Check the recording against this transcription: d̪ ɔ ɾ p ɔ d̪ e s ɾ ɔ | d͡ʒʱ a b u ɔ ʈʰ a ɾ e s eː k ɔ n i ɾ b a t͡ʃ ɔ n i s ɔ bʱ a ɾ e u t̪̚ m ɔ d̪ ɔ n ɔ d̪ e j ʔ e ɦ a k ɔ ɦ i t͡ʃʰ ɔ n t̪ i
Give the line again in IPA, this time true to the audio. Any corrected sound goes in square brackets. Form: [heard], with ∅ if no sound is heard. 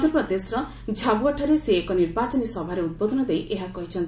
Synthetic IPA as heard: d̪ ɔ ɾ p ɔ d̪ e s ɾ ɔ | d͡ʒʱ a b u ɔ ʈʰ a ɾ e s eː k ɔ n i ɾ b a t͡ʃ ɔ n i s ɔ bʱ a ɾ e u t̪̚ [b] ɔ d̪ ɔ n ɔ d̪ e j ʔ e ɦ a k ɔ ɦ i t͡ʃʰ ɔ n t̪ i